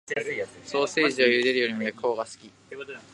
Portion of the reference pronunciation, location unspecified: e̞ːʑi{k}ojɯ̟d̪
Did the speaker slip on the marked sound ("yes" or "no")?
yes